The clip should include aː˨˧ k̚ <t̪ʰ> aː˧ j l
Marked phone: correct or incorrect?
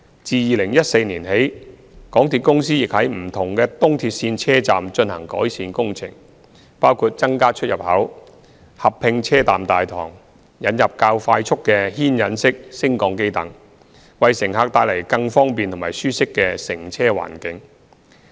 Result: incorrect